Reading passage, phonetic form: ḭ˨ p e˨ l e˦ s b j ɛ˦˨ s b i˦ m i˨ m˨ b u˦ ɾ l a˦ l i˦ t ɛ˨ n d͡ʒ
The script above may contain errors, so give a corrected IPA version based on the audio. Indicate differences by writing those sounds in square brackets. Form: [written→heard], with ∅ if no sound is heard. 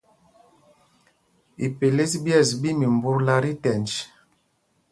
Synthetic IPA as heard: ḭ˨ p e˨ l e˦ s b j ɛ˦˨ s b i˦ m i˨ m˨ b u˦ ɾ l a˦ [l→ɾ] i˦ t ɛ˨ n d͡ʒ